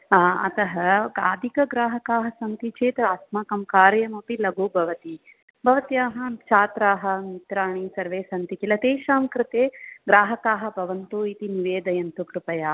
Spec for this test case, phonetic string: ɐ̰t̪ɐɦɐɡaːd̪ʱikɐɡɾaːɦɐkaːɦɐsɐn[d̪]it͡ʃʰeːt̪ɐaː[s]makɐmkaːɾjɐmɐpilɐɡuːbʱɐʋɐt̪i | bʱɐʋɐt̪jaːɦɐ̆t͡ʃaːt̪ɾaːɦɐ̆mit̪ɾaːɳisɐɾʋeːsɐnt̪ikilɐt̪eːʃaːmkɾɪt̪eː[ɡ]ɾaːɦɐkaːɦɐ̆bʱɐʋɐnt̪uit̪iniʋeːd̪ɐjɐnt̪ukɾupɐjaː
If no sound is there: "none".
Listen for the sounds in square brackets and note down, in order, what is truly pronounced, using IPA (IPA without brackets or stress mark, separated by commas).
t̪, s, ɡ